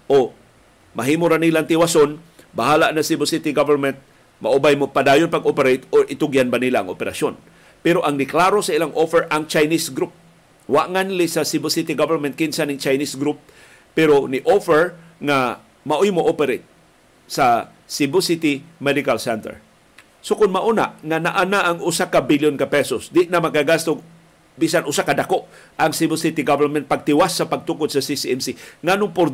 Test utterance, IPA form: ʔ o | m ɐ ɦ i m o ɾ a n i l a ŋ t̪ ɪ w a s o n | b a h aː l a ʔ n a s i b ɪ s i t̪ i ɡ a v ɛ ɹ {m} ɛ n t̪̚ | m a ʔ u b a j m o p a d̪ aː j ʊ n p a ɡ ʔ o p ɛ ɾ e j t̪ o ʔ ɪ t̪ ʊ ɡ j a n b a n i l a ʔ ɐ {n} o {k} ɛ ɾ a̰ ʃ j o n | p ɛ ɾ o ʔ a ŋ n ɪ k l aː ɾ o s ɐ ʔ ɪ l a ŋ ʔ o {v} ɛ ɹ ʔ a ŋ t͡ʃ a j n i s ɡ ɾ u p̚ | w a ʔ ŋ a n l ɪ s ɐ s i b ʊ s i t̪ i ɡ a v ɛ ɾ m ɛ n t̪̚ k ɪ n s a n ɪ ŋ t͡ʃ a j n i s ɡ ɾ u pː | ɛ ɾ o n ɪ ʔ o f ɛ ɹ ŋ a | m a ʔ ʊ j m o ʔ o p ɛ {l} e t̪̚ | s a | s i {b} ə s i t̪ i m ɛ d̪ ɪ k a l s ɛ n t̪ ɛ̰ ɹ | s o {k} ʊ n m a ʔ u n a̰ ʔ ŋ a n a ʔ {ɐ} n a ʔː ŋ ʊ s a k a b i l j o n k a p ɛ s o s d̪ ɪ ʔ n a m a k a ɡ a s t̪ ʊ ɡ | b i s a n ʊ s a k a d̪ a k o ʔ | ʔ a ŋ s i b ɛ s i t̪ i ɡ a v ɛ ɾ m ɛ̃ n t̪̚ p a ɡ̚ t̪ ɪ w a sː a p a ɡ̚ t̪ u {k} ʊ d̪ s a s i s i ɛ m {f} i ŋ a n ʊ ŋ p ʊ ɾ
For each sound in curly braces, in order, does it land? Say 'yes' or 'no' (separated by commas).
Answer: yes, no, no, no, no, yes, yes, no, yes, no